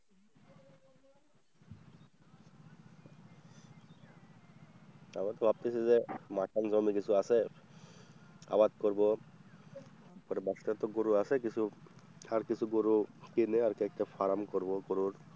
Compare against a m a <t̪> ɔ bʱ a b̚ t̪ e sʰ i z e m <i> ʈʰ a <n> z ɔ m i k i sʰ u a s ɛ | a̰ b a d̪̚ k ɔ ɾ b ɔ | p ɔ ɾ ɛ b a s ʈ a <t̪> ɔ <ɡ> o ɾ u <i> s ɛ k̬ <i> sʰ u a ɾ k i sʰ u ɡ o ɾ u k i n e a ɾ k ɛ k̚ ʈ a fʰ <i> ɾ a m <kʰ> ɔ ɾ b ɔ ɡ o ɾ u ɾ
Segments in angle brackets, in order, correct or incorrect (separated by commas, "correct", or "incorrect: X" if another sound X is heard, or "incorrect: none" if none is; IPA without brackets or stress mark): correct, incorrect: a, correct, correct, correct, incorrect: a, correct, incorrect: a, incorrect: k